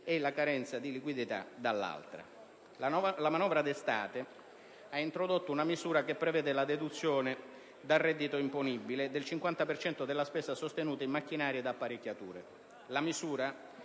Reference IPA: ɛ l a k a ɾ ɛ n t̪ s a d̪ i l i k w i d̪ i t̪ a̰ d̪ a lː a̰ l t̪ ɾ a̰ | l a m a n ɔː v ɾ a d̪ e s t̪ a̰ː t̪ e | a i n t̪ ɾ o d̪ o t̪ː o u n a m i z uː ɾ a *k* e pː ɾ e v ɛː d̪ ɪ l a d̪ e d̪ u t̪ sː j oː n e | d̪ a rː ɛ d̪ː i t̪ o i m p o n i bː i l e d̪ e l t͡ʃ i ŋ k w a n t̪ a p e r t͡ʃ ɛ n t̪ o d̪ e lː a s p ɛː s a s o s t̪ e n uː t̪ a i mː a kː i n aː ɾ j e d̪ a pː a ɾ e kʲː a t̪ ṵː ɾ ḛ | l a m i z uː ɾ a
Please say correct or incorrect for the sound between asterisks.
correct